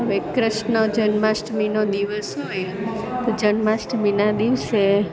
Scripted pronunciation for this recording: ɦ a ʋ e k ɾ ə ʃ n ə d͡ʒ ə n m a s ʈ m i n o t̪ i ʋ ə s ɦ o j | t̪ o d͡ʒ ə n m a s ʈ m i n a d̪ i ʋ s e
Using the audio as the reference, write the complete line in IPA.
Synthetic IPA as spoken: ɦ ə ʋ e k ɾ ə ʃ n ə d͡ʒ ə n m a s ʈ m i n o d̪ i ʋ ə s ɦ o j | t̪ o d͡ʒ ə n m a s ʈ m i n a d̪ i ʋ s e